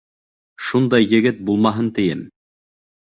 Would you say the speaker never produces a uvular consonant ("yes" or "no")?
yes